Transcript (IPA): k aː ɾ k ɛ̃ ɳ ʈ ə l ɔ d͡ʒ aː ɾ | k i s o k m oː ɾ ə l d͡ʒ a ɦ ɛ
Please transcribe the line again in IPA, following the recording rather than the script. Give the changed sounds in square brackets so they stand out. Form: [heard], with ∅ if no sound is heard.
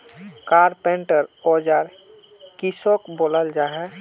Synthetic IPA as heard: k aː ɾ [p] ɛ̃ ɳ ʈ ə [ɾ] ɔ d͡ʒ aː ɾ | k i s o k [b] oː [l] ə l d͡ʒ a ɦ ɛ